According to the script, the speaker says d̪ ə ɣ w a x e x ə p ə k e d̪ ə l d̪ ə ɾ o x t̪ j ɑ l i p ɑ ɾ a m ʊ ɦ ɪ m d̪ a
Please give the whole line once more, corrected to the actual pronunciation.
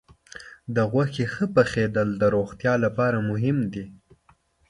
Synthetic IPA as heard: d̪ ə ɣ w a x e x ə p ə x e d̪ ə l d̪ ə ɾ o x t̪ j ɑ l a p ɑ ɾ a m ʊ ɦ ɪ m d̪ i